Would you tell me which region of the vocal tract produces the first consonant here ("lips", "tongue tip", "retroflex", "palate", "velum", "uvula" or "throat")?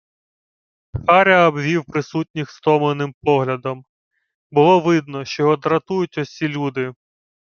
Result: velum